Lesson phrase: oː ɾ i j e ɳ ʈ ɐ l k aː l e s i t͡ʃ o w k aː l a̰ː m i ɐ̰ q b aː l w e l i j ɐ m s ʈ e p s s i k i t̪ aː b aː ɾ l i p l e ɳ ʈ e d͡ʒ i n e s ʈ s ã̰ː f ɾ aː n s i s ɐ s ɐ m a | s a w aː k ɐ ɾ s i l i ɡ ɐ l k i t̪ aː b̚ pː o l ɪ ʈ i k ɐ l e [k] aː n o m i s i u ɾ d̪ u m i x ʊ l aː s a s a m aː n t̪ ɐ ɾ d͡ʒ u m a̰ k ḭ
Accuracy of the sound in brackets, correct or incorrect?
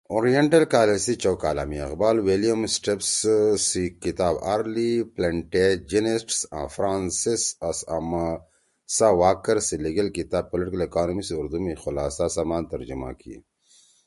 correct